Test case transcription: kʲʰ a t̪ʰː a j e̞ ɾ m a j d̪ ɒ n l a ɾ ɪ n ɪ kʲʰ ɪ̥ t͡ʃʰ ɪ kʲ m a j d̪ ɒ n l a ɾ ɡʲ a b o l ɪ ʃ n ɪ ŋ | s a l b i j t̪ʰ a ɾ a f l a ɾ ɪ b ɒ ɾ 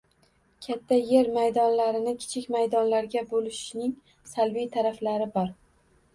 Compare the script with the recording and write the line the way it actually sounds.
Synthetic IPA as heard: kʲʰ a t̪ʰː a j e̞ ɾ m a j d̪ ɒ n l a ɾ ɪ n ɪ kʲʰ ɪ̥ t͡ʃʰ ɪ kʲ m a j d̪ ɒ n l a ɾ ɡʲ a b o l ɪ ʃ n ɪ ŋ | s a l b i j t̪ʰ a ɾ a f l a ɾ ɪ b ɒ ɾ